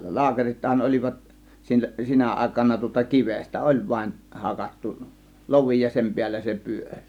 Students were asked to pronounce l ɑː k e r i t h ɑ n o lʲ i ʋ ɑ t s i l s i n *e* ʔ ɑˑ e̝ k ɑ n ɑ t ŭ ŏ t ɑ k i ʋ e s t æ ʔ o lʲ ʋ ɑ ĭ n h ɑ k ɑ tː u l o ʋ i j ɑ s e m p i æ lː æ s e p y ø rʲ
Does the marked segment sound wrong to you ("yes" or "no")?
yes